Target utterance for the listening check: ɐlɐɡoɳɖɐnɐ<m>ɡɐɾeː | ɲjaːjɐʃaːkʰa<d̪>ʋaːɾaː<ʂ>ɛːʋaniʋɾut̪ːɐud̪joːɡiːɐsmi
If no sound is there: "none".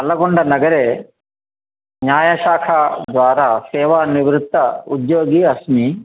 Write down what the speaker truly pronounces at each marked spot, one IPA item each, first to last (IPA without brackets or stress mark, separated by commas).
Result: none, d̪, s